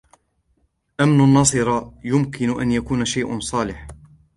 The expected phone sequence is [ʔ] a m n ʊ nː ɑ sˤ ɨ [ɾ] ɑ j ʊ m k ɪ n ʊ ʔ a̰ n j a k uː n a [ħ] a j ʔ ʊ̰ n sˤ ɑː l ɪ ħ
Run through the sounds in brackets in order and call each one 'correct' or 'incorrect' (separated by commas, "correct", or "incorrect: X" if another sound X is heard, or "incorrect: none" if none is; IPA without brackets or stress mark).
correct, correct, incorrect: ʃ